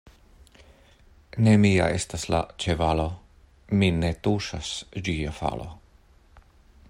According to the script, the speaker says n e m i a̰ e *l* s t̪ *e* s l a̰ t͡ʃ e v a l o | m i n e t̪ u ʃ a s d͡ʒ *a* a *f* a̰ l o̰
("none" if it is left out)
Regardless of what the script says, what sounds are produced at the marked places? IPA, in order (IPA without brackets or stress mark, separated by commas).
none, a, i, f